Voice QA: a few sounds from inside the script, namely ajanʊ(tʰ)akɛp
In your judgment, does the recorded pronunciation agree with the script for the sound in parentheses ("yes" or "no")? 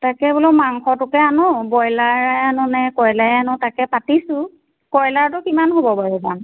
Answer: no